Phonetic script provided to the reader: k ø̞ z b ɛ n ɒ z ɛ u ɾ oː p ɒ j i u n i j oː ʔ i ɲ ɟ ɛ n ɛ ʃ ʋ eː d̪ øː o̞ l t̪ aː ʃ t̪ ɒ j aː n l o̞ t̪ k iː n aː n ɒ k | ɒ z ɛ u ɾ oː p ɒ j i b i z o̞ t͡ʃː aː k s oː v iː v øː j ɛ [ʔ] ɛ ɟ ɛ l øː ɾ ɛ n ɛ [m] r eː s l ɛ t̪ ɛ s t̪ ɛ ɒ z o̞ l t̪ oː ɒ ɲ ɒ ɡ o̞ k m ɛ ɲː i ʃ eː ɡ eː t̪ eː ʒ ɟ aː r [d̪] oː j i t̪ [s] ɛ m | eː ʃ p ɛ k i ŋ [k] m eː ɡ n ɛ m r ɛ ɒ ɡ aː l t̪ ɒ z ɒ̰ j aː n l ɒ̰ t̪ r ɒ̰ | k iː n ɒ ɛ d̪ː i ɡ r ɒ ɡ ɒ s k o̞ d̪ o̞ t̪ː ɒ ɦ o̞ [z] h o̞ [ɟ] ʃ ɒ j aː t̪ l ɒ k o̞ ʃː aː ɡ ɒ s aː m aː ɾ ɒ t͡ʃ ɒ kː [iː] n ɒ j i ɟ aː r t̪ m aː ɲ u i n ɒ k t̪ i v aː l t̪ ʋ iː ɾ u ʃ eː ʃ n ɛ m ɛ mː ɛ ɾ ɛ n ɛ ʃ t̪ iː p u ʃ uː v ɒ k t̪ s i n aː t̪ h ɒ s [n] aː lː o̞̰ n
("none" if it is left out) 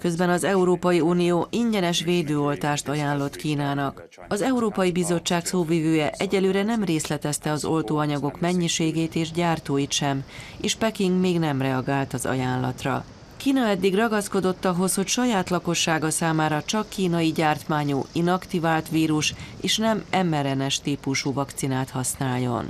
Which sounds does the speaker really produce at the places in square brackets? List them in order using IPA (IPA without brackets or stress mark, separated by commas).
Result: ʔ, m, t̪, ʃ, ɡ, s, c, iː, n